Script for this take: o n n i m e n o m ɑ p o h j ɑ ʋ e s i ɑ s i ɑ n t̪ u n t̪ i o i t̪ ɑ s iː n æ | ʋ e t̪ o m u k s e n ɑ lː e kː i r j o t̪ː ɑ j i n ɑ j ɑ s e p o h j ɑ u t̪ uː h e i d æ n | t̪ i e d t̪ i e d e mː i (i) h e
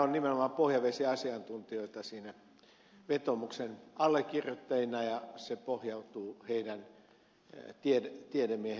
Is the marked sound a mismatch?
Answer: yes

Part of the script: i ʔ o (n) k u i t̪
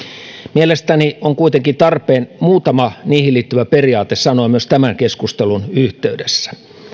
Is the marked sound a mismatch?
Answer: yes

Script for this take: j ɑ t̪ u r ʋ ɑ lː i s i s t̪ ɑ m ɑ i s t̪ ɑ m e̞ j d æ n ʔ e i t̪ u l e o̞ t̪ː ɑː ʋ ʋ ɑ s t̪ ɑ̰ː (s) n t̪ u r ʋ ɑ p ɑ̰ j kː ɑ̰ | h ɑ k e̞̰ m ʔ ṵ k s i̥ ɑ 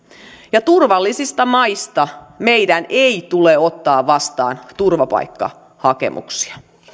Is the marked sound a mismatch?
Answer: yes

